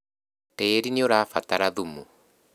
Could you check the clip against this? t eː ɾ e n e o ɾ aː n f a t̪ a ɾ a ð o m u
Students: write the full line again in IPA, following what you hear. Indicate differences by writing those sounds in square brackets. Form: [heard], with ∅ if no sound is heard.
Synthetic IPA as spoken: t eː ɾ [i] n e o ɾ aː [∅] f a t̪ a ɾ a ð [u] m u